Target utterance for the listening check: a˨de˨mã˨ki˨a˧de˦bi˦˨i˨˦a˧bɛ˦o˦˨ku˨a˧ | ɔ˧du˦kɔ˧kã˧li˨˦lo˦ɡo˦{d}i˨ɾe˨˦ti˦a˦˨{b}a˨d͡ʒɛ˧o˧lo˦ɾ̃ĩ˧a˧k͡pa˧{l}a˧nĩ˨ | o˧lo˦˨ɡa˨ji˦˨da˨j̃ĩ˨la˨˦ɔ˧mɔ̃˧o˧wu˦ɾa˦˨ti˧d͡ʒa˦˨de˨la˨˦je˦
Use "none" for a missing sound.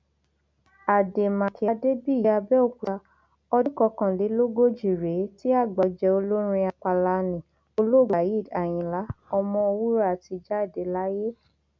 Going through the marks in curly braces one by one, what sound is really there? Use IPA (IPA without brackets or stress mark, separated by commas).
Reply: d͡ʒ, ɡ͡b, l